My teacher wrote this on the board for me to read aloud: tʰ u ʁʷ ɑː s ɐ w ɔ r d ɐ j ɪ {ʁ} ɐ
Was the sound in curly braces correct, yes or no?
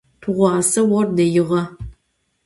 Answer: yes